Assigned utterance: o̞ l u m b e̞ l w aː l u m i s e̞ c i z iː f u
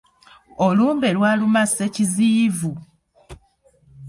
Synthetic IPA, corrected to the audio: o̞ l uː m b e̞ l w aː l u m a s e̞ c i z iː v u